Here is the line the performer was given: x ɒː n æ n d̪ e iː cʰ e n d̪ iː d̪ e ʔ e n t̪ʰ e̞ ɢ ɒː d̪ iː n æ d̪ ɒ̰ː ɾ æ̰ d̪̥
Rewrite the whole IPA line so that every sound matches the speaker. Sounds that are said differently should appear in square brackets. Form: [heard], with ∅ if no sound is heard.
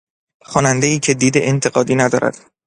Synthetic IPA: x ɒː n æ n d̪ e iː cʰ e [∅] d̪ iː d̪ e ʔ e n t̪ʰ e̞ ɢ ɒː d̪ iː n æ d̪ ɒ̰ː ɾ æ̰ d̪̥